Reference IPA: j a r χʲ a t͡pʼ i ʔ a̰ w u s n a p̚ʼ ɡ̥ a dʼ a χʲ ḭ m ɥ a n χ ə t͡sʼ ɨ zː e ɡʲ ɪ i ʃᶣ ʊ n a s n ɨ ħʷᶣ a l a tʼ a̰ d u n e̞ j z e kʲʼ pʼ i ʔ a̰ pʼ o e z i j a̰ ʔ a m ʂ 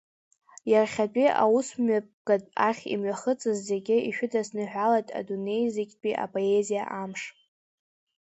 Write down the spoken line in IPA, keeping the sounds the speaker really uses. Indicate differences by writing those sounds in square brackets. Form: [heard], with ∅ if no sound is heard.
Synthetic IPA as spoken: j a r χʲ a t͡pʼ i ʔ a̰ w u s [m] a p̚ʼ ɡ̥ a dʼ a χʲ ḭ m ɥ a [∅] χ ə t͡sʼ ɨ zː e ɡʲ ɪ i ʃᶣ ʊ [d] a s n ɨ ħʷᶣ a l a tʼ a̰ d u n e̞ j z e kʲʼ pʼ i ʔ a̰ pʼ o e z i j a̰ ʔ a m ʂ